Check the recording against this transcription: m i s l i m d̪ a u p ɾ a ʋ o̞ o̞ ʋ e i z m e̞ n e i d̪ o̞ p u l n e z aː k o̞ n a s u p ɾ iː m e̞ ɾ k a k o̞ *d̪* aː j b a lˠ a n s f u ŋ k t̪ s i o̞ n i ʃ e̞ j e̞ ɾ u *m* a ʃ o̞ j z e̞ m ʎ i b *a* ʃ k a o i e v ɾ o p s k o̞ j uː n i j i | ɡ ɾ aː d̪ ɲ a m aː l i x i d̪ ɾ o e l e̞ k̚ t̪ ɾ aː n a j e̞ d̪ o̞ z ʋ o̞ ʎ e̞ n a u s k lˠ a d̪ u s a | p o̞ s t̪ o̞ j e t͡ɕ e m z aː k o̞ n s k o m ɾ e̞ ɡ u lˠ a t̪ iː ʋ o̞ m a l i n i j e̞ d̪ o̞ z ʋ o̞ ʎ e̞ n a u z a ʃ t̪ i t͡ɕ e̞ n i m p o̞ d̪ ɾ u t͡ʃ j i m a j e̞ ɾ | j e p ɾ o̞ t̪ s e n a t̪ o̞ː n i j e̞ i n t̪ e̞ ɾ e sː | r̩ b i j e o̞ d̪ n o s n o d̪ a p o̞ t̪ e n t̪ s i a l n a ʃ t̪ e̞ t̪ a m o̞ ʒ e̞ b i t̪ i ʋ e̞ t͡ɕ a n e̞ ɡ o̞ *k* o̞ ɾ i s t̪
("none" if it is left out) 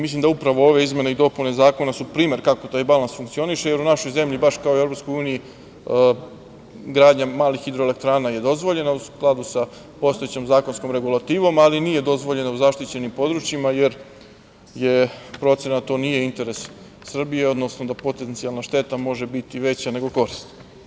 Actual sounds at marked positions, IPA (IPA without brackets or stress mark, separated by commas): t̪, n, a, k